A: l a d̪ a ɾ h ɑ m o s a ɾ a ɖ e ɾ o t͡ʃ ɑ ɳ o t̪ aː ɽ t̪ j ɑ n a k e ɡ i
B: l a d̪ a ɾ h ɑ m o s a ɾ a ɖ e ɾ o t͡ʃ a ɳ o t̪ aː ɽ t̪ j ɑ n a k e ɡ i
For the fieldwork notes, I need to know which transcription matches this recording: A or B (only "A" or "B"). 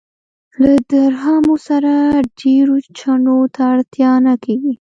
B